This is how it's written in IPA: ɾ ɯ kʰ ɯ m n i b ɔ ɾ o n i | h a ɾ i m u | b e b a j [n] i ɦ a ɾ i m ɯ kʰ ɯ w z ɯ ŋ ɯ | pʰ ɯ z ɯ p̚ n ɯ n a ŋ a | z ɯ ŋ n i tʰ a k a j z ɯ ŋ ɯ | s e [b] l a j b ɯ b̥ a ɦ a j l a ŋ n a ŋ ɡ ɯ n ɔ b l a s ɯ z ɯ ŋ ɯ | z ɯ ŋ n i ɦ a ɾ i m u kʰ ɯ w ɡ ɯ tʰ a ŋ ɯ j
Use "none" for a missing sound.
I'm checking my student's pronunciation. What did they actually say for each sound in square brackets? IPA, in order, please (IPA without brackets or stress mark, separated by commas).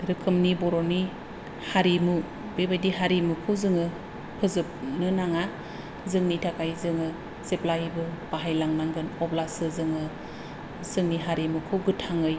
d, p